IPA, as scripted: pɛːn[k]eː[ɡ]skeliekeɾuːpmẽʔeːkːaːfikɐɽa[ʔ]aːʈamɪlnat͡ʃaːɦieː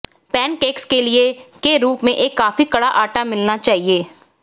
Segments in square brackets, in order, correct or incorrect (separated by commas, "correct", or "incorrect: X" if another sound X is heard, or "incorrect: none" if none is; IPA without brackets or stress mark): correct, incorrect: k, correct